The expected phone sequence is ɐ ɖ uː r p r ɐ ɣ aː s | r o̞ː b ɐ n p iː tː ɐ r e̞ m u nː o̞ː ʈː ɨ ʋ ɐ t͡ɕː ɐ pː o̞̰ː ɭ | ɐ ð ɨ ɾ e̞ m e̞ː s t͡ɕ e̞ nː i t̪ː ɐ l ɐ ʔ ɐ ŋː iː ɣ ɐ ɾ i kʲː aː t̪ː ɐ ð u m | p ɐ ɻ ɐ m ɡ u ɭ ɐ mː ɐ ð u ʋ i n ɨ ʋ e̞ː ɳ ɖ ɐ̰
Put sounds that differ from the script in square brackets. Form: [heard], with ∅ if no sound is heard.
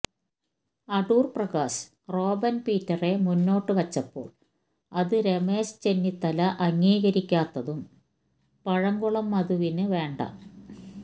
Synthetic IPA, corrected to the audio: ɐ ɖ uː r p r ɐ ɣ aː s | r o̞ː b ɐ n p iː tː ɐ r e̞ m u nː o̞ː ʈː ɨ ʋ ɐ t͡ɕː ɐ pː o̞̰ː ɭ | ɐ ð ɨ ɾ e̞ m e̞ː s t͡ɕ e̞ nː i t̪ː ɐ l ɐ ʔ ɐ ŋː iː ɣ ɐ ɾ i kʲː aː t̪ː ɐ ð u m | p ɐ ɻ ɐ [ŋ] ɡ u ɭ ɐ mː ɐ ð u ʋ i n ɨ ʋ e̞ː ɳ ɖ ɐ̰